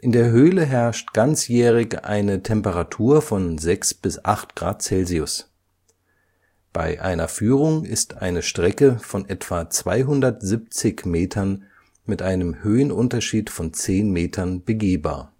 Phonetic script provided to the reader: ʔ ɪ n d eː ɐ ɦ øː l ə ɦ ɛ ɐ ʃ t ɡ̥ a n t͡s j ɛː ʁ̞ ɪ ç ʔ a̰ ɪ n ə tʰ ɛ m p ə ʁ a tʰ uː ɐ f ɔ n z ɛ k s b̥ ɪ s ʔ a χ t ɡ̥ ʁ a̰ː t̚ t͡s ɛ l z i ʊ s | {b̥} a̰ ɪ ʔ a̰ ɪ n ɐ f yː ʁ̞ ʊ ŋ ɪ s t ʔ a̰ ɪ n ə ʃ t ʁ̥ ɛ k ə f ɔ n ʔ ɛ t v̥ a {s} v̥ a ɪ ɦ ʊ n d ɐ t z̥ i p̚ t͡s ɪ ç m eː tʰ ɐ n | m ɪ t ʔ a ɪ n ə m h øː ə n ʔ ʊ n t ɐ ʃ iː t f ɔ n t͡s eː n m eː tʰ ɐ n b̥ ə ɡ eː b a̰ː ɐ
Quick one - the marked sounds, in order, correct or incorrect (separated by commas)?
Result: correct, incorrect